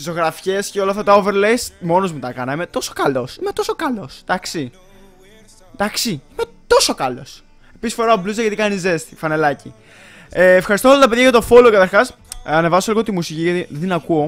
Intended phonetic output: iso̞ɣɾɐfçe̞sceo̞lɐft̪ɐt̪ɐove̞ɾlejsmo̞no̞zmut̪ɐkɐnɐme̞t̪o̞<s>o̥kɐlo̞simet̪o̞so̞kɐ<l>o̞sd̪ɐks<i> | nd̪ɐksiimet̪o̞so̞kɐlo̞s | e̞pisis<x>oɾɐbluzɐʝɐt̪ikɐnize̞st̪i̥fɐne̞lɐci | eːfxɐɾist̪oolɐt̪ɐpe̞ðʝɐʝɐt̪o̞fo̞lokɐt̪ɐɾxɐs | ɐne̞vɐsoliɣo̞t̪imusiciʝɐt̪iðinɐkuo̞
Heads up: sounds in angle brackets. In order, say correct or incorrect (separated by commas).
correct, correct, correct, incorrect